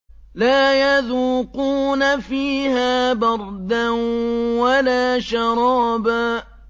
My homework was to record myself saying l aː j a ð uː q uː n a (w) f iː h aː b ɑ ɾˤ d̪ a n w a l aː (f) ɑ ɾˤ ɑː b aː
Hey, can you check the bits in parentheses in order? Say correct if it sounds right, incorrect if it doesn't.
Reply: incorrect, incorrect

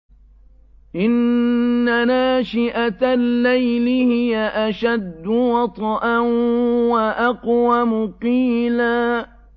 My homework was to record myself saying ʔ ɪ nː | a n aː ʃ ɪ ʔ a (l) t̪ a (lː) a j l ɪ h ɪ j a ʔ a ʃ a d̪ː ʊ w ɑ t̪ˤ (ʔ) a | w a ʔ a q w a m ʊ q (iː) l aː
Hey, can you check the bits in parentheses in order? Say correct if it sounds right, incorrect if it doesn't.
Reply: incorrect, correct, correct, correct

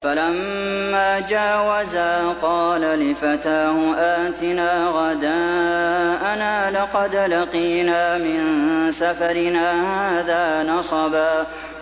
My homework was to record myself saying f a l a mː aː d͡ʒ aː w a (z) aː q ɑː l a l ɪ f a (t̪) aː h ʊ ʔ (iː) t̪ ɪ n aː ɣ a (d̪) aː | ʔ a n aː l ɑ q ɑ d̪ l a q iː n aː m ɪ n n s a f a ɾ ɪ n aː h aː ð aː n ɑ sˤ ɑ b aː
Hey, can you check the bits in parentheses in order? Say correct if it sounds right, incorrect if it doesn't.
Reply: correct, correct, incorrect, correct

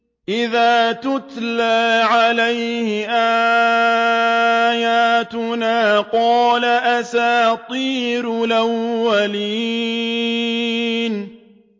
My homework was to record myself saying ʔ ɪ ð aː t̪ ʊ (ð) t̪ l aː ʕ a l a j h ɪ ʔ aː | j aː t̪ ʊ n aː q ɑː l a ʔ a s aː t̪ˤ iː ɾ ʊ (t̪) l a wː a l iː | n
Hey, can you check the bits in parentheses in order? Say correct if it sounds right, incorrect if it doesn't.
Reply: incorrect, incorrect

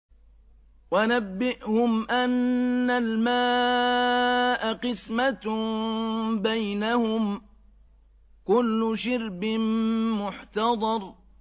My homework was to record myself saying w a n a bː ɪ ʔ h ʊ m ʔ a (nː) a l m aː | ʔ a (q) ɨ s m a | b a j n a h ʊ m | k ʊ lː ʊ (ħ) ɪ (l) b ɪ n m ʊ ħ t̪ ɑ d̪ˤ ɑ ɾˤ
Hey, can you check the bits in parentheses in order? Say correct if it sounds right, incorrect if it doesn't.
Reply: correct, correct, incorrect, incorrect

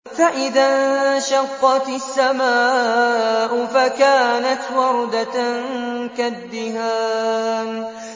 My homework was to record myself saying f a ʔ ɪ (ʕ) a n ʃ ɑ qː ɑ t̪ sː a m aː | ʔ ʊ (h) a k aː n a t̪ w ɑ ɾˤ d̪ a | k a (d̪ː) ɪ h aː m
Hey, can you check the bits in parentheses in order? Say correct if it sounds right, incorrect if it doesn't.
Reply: incorrect, incorrect, correct

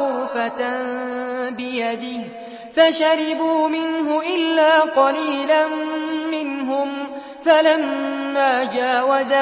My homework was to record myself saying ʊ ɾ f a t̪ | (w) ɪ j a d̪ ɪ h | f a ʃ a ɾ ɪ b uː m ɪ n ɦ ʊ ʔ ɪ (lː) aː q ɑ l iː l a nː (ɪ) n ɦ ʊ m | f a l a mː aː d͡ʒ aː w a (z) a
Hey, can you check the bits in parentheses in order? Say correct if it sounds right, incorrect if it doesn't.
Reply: incorrect, correct, correct, correct

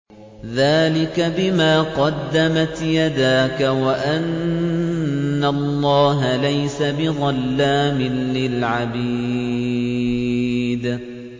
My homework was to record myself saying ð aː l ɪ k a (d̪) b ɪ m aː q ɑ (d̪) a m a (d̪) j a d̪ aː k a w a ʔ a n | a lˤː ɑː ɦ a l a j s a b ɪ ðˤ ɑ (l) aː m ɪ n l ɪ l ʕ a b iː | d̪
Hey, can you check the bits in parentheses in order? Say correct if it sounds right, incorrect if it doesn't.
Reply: incorrect, incorrect, incorrect, incorrect

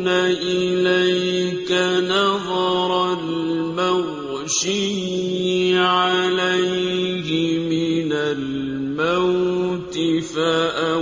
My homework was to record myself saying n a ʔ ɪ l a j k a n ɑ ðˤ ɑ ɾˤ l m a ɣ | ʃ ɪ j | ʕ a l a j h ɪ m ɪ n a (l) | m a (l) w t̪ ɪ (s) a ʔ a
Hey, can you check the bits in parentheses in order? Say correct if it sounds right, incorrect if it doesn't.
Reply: correct, incorrect, incorrect

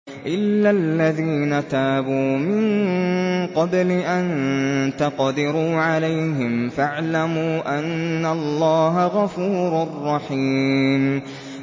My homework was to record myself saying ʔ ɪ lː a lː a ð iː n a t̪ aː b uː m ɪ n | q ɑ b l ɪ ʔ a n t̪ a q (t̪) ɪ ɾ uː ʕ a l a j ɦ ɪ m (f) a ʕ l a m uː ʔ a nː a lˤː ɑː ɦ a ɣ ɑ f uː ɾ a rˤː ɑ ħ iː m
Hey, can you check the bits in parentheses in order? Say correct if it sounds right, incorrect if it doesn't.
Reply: incorrect, correct

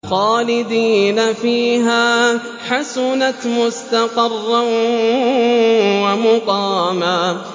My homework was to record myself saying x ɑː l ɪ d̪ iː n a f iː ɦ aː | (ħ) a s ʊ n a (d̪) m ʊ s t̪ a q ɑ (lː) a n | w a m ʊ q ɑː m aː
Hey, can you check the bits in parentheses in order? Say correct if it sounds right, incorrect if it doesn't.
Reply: correct, incorrect, incorrect

